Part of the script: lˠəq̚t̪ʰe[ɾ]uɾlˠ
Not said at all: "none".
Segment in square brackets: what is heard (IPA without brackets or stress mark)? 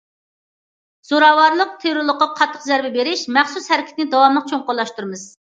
ɾ